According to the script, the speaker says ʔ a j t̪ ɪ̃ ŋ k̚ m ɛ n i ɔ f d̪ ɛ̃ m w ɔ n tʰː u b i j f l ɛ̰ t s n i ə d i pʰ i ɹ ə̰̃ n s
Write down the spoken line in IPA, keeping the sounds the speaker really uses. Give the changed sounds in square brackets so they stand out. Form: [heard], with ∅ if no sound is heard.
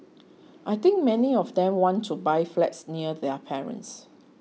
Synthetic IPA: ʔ a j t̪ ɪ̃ ŋ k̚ m ɛ n i ɔ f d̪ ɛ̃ m w [ɔ̃] n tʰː u b [a] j f l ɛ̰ t s n i ə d [ɛ] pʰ [ɛ] ɹ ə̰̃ n s